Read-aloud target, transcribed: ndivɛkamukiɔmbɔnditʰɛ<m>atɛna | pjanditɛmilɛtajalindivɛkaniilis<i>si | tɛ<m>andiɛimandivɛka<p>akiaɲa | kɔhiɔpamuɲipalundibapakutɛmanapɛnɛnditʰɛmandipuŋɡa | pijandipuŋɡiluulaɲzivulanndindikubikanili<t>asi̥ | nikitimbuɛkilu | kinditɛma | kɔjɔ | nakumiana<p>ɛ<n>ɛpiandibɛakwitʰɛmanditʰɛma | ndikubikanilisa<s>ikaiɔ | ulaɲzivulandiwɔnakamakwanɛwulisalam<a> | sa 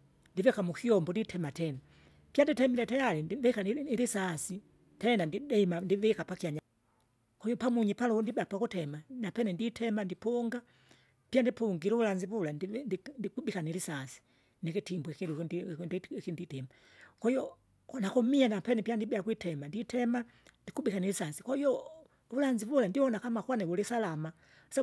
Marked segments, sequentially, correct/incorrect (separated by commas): correct, incorrect, incorrect, correct, incorrect, correct, correct, correct, correct